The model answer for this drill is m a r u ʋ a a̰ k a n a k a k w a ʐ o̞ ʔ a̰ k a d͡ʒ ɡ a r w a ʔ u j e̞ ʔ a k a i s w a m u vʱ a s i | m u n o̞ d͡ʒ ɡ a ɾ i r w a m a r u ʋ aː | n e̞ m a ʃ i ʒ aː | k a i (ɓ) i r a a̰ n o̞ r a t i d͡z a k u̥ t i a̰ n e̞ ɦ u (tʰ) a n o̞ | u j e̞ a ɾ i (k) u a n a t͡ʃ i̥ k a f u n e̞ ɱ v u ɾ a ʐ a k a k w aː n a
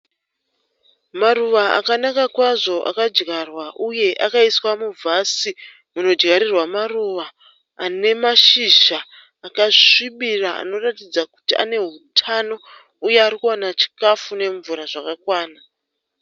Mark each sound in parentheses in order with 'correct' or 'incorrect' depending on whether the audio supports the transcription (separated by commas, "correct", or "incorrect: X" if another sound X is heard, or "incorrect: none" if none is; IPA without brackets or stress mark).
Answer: correct, correct, correct